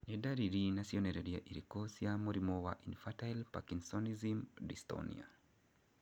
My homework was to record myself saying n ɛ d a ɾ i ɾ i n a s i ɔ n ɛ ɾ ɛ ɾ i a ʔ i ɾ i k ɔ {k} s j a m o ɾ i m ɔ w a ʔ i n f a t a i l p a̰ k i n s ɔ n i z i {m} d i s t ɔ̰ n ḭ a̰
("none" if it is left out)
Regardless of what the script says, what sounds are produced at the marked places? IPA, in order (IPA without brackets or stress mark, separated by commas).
none, m